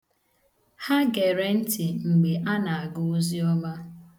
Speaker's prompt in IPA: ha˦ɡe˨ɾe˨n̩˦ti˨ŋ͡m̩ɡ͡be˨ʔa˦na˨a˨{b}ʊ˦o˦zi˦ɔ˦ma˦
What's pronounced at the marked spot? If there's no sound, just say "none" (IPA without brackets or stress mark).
ɡ